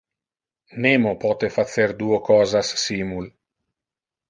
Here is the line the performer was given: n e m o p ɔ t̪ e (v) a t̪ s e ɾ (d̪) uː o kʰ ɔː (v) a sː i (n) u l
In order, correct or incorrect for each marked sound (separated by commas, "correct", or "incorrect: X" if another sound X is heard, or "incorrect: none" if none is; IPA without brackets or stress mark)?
incorrect: f, correct, incorrect: z, incorrect: m